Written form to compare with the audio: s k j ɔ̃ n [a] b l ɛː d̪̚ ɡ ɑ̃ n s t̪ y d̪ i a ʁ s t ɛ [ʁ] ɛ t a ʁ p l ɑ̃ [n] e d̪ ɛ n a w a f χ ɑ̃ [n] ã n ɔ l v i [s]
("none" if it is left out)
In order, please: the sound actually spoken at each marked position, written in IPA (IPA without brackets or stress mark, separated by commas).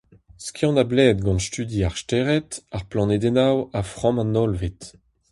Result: a, ʁ, n, m, t